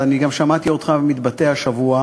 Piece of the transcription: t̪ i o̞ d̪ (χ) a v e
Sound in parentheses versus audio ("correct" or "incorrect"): correct